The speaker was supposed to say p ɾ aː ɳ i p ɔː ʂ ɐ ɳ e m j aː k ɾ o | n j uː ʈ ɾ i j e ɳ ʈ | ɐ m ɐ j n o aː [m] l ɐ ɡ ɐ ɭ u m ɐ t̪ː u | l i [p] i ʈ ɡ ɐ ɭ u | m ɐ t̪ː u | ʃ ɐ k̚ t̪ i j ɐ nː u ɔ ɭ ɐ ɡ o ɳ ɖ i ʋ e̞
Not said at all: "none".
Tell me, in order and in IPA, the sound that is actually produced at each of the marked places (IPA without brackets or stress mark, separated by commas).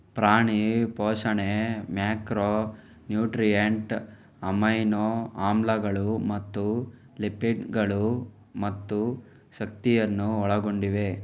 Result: m, p